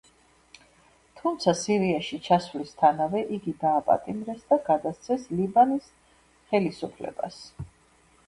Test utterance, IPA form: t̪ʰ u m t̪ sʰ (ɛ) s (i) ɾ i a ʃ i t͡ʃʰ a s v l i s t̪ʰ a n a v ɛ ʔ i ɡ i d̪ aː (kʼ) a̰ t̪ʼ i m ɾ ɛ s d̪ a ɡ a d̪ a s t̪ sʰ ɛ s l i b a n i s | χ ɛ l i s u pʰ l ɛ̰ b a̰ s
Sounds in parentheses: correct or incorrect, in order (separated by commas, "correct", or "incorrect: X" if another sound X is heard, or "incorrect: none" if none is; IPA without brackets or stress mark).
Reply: incorrect: a, correct, incorrect: pʼ